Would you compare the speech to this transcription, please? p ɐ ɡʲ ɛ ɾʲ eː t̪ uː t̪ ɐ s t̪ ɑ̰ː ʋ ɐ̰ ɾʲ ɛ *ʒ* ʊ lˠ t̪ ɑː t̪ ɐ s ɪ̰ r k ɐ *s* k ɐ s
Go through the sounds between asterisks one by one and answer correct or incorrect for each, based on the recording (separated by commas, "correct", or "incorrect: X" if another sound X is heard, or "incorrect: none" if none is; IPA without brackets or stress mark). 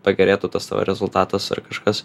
incorrect: z, incorrect: ʃ